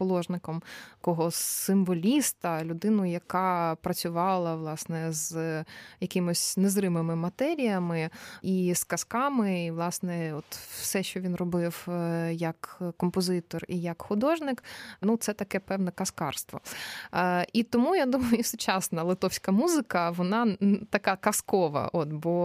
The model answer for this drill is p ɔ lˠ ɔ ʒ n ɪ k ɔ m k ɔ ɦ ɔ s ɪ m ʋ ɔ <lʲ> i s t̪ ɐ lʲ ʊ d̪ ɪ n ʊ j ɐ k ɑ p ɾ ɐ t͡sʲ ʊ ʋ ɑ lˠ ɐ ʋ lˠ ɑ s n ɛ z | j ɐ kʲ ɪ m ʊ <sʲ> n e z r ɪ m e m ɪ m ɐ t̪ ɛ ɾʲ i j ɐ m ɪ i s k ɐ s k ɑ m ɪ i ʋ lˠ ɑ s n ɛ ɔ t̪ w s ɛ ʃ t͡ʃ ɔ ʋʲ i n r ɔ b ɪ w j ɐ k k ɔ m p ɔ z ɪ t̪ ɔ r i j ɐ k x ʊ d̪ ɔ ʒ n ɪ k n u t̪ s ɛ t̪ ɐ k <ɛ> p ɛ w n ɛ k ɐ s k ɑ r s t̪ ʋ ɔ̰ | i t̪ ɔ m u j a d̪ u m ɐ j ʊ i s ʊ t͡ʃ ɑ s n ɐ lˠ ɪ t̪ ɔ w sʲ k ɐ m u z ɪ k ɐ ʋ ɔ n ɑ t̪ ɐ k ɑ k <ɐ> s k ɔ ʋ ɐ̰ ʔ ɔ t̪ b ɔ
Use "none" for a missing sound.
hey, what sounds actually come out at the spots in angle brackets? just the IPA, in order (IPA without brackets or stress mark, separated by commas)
lʲ, sʲ, ɛ, ɐ